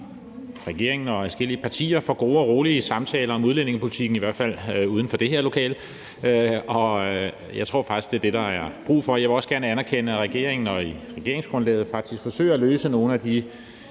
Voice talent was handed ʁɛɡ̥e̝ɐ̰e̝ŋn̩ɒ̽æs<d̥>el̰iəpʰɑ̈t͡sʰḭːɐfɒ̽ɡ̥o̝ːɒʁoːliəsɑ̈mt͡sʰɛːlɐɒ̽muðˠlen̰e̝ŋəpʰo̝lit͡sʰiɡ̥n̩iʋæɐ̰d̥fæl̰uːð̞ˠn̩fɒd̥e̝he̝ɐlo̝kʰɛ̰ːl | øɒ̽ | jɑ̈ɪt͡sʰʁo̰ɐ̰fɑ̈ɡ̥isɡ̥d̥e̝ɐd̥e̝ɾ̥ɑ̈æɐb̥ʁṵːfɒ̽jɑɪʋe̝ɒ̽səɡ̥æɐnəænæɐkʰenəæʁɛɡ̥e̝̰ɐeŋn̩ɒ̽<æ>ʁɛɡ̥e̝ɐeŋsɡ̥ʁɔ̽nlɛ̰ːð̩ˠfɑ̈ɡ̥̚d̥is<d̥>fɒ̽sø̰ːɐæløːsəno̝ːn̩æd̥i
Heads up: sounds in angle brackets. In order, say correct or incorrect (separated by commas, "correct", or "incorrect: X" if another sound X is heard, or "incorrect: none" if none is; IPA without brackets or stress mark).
incorrect: ɡ̥, incorrect: i, incorrect: ɡ̥